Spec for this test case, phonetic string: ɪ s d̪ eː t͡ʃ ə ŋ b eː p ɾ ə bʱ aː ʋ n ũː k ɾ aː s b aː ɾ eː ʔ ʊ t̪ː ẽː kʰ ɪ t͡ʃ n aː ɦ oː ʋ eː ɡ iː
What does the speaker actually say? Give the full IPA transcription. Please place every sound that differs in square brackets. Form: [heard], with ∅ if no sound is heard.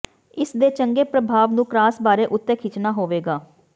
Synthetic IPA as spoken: ɪ s d̪ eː t͡ʃ ə ŋ [ɡ] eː p ɾ ə bʱ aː ʋ n ũː k ɾ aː s b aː ɾ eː ʔ ʊ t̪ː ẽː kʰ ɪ t͡ʃ n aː ɦ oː ʋ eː ɡ [aː]